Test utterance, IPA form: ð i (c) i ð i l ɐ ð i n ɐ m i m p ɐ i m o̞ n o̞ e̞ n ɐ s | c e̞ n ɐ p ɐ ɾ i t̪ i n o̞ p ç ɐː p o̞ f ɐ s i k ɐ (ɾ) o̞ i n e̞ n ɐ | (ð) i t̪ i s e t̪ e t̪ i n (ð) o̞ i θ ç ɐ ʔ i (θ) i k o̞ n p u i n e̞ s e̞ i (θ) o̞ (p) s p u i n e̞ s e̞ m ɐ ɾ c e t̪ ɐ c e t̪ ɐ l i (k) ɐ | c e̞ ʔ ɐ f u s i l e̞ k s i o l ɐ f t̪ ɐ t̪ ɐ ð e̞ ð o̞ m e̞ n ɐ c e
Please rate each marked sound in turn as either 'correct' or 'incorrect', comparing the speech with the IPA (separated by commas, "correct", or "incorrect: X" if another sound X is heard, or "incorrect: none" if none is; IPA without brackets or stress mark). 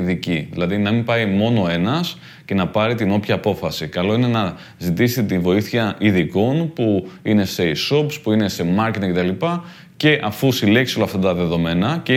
correct, incorrect: l, incorrect: z, incorrect: v, incorrect: ð, incorrect: s, correct, incorrect: p